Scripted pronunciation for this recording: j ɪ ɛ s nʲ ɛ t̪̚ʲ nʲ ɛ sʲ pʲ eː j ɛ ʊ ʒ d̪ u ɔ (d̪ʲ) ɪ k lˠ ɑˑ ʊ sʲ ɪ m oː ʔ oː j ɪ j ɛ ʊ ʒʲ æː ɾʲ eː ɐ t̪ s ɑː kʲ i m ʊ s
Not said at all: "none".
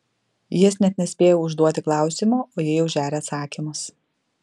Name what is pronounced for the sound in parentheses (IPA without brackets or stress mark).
t̪ʲ